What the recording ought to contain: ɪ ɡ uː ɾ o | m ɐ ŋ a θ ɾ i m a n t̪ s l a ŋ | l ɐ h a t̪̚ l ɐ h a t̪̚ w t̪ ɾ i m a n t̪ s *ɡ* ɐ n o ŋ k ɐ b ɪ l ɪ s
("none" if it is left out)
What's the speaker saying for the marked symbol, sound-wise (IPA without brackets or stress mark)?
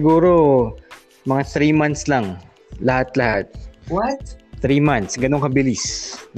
ɡ